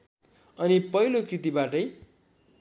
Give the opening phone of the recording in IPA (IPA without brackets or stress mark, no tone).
ʌ